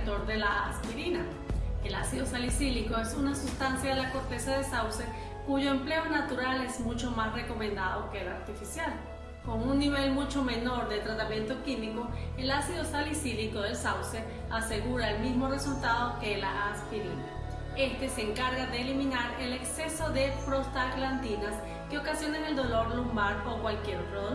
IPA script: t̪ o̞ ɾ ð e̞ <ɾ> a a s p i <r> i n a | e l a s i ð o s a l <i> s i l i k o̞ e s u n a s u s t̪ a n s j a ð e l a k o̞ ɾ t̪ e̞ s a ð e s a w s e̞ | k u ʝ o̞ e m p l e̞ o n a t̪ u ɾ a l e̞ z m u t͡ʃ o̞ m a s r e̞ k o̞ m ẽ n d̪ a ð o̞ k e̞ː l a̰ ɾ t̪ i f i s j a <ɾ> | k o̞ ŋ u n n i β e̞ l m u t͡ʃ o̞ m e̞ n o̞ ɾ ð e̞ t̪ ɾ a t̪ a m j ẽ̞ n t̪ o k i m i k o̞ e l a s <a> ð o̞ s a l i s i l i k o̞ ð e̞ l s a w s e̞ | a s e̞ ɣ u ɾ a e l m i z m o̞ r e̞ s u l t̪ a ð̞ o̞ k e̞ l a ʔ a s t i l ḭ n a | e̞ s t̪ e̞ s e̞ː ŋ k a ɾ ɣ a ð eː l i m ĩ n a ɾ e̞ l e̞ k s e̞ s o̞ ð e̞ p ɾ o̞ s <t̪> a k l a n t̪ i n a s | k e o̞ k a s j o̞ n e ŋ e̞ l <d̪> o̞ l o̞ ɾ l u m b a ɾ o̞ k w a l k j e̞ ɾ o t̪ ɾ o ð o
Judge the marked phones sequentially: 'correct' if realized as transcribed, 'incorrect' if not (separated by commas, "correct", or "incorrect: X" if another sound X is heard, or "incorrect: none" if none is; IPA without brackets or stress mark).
incorrect: l, incorrect: ɾ, correct, incorrect: l, incorrect: i, correct, correct